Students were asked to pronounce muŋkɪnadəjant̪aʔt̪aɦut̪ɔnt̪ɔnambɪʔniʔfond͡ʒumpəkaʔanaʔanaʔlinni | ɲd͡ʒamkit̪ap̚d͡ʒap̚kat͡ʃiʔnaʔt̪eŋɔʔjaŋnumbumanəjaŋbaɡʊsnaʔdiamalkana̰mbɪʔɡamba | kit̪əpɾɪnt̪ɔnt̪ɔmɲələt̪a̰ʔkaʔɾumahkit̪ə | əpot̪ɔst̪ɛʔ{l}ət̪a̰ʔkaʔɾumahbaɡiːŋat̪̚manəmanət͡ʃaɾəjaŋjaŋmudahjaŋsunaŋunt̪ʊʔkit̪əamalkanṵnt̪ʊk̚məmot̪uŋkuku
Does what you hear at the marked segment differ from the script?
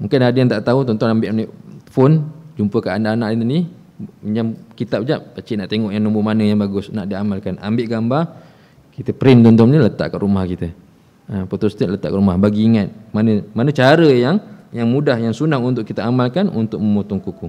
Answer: no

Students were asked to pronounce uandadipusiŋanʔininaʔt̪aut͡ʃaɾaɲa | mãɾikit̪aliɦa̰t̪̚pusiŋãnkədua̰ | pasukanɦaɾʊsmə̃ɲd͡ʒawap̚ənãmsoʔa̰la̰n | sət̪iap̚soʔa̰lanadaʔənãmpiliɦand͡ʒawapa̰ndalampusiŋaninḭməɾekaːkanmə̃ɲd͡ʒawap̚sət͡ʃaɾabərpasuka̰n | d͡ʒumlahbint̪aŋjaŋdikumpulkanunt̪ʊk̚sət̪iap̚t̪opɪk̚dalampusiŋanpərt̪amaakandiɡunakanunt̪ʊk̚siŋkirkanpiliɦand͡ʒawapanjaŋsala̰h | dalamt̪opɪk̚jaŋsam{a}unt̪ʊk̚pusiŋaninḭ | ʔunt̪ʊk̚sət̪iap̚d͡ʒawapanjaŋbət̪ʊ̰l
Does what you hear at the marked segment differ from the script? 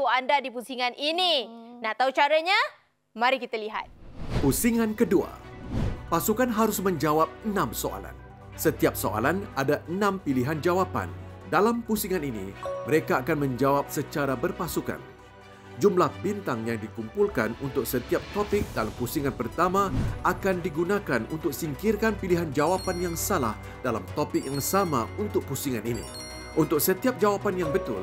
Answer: no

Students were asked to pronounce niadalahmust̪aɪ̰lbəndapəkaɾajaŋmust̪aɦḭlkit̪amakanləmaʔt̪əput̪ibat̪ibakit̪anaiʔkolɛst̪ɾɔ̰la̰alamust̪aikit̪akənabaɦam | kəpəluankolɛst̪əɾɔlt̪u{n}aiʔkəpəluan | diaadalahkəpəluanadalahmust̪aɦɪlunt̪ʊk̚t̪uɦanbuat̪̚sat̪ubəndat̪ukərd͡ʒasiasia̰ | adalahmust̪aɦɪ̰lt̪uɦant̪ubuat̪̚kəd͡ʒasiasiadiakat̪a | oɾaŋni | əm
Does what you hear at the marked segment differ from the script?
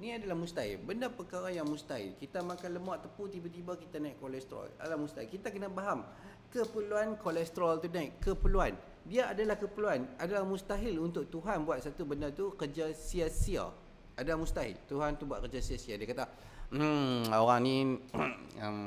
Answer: no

